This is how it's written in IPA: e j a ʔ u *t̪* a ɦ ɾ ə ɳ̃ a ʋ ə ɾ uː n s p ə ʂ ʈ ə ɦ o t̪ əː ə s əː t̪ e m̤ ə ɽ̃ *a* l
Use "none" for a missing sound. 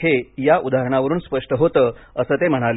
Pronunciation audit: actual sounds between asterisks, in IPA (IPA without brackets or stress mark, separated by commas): d̪, a